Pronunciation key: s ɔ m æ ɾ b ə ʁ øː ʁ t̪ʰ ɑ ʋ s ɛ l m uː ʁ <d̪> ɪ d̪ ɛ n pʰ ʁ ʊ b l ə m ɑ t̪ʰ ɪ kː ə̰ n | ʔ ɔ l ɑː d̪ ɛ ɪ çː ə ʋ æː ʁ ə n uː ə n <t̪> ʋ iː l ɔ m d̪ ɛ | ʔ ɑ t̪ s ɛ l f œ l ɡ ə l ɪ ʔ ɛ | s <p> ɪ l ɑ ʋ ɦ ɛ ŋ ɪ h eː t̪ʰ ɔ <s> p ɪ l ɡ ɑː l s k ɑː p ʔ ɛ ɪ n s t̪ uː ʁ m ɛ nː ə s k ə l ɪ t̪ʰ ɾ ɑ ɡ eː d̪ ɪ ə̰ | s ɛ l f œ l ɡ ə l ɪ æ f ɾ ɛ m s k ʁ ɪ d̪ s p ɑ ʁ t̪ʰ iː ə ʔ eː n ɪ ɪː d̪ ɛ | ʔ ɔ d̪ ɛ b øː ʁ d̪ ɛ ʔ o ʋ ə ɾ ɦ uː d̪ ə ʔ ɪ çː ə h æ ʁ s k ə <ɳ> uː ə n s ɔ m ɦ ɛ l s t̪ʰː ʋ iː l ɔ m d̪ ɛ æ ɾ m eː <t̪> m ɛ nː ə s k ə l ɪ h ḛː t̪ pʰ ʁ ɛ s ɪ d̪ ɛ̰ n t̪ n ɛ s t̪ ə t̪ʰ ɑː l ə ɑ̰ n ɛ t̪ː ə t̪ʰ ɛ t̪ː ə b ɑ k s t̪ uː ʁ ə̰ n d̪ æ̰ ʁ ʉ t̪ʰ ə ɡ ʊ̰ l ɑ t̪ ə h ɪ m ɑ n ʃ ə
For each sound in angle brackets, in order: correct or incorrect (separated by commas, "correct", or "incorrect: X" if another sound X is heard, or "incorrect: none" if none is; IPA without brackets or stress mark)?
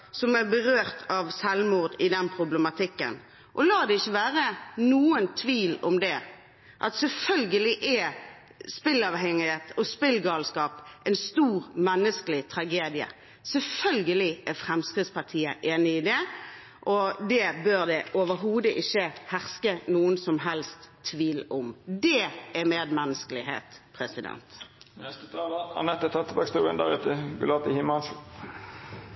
correct, incorrect: t̪ʰ, correct, correct, incorrect: n, incorrect: d̪